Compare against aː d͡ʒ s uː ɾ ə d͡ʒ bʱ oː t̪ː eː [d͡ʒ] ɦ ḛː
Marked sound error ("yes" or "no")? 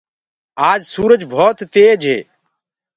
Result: no